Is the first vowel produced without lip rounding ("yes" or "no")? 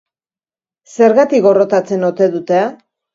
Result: yes